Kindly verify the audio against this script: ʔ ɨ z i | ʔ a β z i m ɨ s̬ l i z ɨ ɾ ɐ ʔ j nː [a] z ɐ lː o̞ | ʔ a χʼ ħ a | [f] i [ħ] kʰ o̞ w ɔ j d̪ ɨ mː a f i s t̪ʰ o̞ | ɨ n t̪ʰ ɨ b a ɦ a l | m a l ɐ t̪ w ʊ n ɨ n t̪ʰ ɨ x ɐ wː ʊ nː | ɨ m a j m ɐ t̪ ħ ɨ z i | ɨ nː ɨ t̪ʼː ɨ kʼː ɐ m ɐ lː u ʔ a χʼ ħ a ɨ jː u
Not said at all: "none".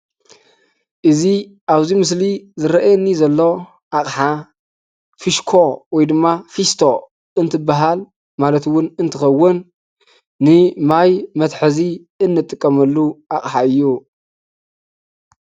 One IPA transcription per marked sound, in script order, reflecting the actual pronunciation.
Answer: i, f, ʃ

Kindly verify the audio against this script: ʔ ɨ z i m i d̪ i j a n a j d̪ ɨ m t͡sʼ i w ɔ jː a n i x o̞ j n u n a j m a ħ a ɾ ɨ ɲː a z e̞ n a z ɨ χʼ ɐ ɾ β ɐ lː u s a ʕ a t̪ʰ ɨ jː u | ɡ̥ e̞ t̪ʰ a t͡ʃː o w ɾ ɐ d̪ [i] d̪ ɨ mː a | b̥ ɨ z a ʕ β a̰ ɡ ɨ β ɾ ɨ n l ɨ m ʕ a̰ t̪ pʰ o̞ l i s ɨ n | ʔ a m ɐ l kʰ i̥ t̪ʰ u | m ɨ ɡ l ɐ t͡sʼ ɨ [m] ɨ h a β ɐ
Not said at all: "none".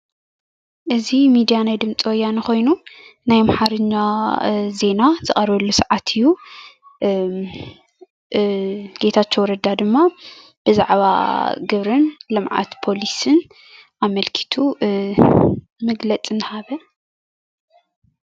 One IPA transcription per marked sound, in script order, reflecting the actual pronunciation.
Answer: a, n

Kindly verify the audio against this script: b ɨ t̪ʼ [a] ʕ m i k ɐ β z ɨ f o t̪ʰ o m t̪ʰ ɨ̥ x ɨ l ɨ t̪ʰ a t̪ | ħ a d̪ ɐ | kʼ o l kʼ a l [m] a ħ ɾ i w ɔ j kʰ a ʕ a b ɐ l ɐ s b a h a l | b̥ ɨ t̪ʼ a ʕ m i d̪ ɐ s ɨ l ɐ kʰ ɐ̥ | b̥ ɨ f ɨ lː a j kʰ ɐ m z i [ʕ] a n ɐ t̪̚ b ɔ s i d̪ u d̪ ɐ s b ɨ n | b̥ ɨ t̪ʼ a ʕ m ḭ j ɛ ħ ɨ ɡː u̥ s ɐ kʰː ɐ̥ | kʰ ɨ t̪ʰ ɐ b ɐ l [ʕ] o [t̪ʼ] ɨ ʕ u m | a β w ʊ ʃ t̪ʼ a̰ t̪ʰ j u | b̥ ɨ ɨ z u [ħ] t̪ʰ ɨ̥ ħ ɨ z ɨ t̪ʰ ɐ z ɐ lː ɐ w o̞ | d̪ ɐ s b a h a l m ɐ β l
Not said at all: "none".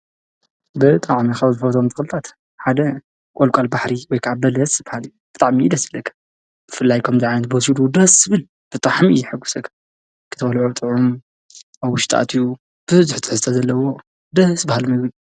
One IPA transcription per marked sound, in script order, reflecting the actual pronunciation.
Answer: a, b, ʕ, ʕ, t̪ʼ, ħ

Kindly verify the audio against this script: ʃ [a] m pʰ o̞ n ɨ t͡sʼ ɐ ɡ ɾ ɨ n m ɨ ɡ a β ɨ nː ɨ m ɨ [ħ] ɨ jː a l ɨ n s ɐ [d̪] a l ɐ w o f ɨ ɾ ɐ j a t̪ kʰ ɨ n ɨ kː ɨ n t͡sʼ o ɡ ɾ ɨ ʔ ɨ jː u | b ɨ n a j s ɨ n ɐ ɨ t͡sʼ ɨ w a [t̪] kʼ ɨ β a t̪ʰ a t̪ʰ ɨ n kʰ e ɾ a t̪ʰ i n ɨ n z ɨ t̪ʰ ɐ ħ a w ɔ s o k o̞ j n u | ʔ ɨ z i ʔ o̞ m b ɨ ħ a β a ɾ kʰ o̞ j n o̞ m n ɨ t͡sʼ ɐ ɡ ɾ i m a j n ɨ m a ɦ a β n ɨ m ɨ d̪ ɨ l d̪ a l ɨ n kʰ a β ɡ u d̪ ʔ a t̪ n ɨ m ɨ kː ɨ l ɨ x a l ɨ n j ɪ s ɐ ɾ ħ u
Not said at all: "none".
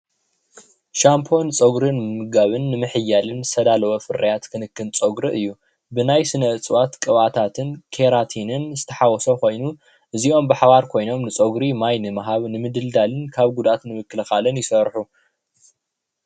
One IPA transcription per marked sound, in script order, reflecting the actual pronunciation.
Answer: a, ħ, d̪, t̪

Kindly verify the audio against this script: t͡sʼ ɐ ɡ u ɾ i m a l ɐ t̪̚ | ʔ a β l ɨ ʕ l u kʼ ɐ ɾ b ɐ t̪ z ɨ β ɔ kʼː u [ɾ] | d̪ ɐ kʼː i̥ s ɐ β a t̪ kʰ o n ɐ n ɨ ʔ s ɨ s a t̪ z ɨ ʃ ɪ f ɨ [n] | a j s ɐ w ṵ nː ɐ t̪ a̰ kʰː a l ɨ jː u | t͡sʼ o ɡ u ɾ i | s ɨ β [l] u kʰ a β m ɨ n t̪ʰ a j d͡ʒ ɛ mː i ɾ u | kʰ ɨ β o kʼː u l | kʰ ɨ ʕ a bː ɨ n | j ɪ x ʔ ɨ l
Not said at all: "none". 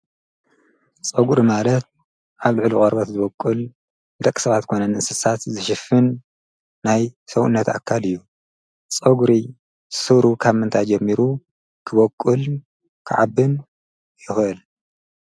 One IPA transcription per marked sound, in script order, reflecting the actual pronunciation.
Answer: l, nː, ɾ

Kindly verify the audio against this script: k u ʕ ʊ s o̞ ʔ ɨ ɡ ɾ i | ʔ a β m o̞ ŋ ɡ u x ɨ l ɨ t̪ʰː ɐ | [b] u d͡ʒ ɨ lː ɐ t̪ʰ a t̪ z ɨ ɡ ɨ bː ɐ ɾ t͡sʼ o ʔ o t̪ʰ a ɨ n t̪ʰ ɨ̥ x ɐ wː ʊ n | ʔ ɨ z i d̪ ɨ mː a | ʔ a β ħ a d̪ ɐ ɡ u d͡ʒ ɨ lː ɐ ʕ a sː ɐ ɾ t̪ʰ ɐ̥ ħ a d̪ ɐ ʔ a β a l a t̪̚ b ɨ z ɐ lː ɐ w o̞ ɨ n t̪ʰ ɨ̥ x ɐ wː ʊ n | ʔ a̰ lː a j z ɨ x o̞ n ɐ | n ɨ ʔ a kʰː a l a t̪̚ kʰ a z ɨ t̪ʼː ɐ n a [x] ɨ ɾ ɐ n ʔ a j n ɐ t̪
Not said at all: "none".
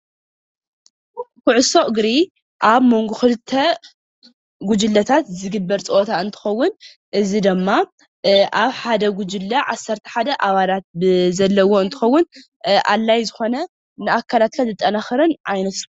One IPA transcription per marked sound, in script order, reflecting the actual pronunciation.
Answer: ɡ, x

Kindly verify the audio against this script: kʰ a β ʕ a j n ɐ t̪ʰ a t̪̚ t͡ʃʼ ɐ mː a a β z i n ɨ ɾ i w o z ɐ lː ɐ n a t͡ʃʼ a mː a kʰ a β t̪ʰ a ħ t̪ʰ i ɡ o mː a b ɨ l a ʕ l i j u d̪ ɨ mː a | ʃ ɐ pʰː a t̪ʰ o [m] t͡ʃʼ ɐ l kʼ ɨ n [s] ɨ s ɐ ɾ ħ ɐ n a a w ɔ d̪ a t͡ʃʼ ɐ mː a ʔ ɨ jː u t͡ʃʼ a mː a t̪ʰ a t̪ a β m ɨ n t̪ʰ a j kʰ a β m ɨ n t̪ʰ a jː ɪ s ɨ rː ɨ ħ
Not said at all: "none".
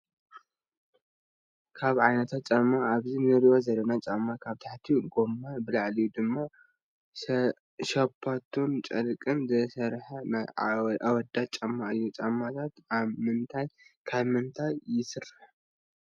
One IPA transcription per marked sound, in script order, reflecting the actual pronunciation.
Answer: n, z

